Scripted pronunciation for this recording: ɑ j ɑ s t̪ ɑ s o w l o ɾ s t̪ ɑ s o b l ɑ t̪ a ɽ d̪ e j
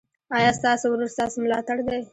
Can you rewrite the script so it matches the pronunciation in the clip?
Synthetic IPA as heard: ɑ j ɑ s t̪ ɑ s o w ɾ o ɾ s t̪ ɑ s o m l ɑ t̪ a ɽ d̪ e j